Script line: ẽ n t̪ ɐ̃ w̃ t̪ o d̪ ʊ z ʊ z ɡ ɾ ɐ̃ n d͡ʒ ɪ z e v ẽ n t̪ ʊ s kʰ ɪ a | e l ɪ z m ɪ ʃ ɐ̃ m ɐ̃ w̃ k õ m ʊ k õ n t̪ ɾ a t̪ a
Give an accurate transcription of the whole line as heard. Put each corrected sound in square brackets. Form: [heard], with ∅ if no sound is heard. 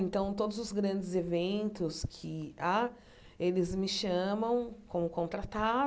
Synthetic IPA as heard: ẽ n t̪ ɐ̃ w̃ t̪ o d̪ ʊ z ʊ z ɡ ɾ ɐ̃ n d͡ʒ ɪ z e v ẽ n t̪ ʊ s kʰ ɪ a | e l ɪ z m ɪ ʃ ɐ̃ m ɐ̃ w̃ k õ m ʊ k õ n t̪ ɾ a t̪ a